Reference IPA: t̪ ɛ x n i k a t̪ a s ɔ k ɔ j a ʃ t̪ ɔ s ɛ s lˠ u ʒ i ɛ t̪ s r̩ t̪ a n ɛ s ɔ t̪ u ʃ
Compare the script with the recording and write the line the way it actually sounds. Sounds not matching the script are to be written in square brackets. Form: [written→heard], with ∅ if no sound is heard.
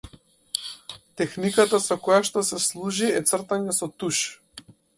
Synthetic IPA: t̪ ɛ x n i k a t̪ a s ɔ k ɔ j a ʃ t̪ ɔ s ɛ s lˠ u ʒ i ɛ t̪ s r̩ t̪ a [n→ɲ] ɛ s ɔ t̪ u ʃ